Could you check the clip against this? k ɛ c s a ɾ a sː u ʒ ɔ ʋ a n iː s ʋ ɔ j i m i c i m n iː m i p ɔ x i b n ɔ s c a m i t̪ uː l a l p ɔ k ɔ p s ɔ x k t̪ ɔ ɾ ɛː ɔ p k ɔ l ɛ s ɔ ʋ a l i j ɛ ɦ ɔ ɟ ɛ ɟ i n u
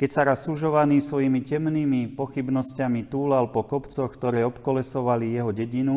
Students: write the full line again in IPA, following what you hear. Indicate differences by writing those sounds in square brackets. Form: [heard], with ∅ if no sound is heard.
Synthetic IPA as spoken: k ɛ c s a ɾ a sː u ʒ ɔ ʋ a n iː s ʋ ɔ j i m i c [ɛ] m n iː m i p ɔ x i b n ɔ s c a m i t̪ uː l a l p ɔ k ɔ p [t͡s] ɔ x k t̪ ɔ ɾ ɛː ɔ p k ɔ l ɛ s ɔ ʋ a l i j ɛ ɦ ɔ ɟ ɛ ɟ i n u